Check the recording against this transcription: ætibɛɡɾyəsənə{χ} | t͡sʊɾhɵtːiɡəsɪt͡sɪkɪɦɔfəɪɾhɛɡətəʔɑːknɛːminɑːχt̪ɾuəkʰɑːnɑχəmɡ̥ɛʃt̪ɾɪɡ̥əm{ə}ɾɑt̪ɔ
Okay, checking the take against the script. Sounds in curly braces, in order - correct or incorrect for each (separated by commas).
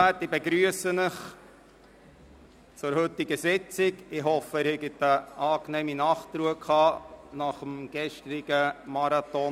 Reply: correct, incorrect